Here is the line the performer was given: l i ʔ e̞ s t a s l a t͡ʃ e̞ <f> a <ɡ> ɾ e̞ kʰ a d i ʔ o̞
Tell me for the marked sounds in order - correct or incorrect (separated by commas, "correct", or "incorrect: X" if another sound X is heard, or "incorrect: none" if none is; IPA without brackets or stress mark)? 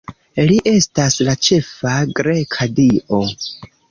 correct, correct